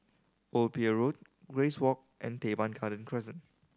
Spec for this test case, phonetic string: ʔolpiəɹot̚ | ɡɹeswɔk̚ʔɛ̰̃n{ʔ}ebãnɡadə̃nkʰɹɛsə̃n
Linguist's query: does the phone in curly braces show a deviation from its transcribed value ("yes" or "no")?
yes